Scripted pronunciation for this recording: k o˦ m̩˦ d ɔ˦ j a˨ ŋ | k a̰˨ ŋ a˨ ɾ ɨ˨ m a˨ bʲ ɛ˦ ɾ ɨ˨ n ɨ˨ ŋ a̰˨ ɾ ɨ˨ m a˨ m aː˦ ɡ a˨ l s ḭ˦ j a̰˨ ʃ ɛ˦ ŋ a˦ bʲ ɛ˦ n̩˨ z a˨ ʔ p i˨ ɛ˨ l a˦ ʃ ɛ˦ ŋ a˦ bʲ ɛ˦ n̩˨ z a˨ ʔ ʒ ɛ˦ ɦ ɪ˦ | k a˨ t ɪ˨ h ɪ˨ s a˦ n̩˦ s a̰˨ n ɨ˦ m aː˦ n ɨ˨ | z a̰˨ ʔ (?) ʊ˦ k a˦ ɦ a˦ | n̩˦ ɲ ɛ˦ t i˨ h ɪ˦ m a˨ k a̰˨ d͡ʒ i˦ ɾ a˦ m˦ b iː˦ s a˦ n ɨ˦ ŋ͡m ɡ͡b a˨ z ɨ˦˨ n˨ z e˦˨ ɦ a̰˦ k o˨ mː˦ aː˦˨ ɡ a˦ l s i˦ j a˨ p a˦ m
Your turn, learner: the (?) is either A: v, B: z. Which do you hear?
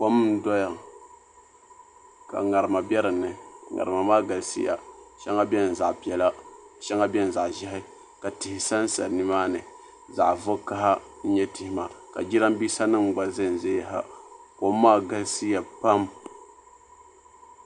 A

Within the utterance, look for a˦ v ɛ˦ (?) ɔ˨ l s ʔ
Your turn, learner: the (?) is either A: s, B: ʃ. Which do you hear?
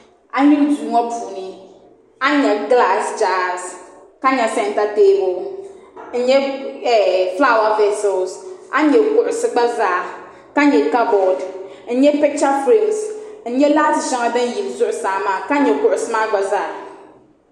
A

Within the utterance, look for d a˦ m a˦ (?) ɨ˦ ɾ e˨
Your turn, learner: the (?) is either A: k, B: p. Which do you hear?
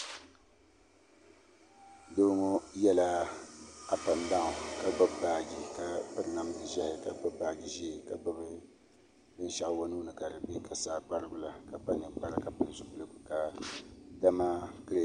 A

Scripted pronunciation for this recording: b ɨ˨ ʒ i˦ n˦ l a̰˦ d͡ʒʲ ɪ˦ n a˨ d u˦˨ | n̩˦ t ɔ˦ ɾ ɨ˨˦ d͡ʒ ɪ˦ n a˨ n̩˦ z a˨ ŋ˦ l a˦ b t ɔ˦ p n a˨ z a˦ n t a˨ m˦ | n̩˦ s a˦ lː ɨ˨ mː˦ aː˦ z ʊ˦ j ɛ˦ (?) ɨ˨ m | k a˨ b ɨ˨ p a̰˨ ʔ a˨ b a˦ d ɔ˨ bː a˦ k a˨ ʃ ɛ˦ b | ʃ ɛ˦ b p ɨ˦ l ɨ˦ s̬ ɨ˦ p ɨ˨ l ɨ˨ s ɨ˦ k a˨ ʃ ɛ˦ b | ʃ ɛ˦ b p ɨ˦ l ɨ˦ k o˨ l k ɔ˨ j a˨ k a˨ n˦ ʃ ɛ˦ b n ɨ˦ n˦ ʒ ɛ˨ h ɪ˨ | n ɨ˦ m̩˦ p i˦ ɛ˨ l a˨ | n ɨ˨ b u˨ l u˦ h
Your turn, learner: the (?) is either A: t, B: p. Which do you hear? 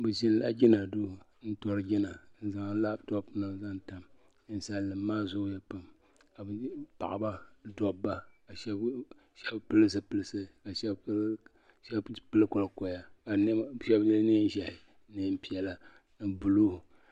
B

